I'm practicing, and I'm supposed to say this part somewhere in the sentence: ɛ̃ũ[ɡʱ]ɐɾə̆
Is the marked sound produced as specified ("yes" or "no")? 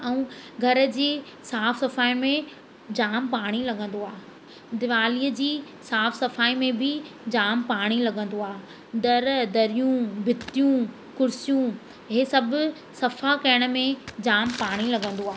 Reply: yes